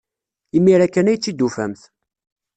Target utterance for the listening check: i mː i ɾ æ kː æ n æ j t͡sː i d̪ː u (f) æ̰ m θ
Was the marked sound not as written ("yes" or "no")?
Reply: no